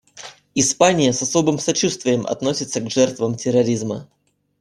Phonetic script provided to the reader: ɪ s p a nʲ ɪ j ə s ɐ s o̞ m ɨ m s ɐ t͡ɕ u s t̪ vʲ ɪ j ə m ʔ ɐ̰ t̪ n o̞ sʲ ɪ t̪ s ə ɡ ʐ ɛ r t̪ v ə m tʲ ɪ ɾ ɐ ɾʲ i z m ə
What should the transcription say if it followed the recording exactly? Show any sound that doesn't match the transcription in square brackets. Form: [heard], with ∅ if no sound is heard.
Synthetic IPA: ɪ s p a nʲ ɪ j ə s ɐ s o̞ [b] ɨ m s ɐ t͡ɕ u s t̪ vʲ ɪ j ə m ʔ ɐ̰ t̪ n o̞ sʲ ɪ t̪ s ə ɡ ʐ ɛ r t̪ v ə m tʲ ɪ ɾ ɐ ɾʲ i z m ə